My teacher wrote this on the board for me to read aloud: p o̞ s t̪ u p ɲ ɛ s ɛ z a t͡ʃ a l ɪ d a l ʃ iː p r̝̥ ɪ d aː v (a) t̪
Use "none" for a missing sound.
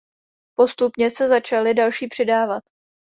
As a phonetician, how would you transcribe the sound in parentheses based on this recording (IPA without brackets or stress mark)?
a